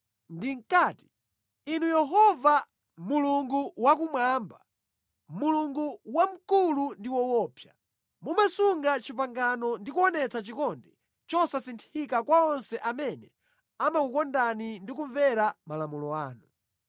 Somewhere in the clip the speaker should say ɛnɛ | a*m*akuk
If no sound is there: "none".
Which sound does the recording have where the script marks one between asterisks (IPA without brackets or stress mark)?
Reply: m